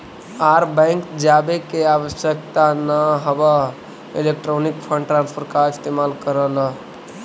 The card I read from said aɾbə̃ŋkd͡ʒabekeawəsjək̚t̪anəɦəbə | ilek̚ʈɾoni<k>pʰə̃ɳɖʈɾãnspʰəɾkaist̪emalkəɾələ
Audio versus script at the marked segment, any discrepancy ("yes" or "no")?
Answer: no